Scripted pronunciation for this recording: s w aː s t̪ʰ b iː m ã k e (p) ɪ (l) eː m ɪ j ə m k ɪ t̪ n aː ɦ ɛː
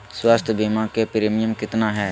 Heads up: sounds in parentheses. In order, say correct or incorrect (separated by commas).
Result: correct, incorrect